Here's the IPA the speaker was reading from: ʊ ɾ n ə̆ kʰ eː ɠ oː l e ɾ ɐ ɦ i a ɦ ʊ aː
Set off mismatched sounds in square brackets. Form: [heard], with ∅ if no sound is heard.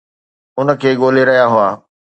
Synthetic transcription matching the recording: ʊ [∅] n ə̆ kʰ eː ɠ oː l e ɾ ɐ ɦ [j] a ɦ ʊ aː

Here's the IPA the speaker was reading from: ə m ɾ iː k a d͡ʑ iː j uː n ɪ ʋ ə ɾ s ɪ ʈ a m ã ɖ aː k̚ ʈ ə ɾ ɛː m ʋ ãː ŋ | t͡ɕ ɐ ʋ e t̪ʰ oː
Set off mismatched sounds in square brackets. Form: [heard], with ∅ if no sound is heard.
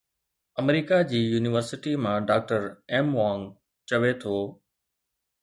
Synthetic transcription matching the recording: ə m ɾ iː k a d͡ʑ iː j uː n ɪ ʋ ə ɾ s ɪ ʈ [i] m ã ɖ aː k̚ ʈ ə ɾ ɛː m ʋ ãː ŋ | t͡ɕ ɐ ʋ e t̪ʰ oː

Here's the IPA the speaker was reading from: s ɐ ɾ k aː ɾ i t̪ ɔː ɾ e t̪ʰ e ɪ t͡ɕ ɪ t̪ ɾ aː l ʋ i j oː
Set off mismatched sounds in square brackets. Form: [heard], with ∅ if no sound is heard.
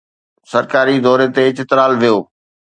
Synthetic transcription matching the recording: s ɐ ɾ k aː ɾ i [d̪] ɔː ɾ e [t̪] e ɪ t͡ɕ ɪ t̪ ɾ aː l ʋ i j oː

